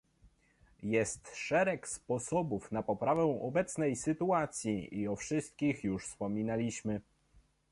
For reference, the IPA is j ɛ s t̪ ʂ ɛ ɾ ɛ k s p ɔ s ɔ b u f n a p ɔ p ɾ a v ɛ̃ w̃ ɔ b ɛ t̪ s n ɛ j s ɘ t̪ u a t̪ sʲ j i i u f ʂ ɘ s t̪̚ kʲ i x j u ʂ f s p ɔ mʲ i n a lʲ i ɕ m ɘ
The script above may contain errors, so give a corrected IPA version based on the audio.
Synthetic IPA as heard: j ɛ s t̪ ʂ ɛ ɾ ɛ k s p ɔ s ɔ b u f n a p ɔ p ɾ a v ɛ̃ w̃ ɔ b ɛ t̪ s n ɛ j s ɘ t̪ u a t̪ sʲ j i i ɔ f ʂ ɘ s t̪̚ kʲ i x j u ʂ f s p ɔ mʲ i n a lʲ i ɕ m ɘ